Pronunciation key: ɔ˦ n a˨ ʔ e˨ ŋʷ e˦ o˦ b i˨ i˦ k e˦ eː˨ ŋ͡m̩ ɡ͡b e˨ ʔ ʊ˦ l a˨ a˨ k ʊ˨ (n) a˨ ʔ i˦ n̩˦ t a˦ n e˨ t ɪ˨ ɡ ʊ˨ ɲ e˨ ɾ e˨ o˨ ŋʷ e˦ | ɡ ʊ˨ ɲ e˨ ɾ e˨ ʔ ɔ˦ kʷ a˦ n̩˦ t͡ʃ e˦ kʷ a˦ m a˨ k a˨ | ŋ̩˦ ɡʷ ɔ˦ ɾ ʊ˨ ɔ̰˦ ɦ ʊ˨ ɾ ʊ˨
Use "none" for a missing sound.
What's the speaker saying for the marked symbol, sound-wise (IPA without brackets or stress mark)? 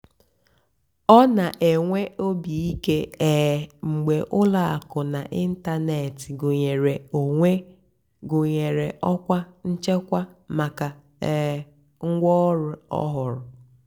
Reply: n